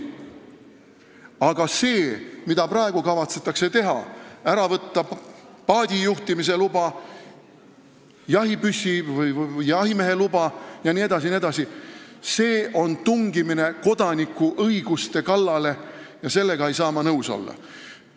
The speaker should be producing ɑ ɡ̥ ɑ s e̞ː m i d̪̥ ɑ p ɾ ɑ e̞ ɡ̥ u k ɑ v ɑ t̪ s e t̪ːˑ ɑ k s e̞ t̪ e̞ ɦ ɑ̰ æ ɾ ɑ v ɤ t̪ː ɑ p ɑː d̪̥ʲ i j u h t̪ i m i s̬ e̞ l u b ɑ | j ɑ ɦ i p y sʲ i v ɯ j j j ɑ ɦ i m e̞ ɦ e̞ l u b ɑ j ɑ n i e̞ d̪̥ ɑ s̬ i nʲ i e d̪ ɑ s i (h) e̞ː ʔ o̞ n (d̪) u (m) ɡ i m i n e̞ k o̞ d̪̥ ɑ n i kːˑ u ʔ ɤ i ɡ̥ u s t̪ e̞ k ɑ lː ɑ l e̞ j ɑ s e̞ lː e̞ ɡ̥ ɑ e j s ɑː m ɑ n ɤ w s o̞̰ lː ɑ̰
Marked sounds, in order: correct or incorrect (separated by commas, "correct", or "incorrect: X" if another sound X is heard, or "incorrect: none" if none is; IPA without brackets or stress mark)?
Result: incorrect: s, incorrect: t̪, incorrect: ŋ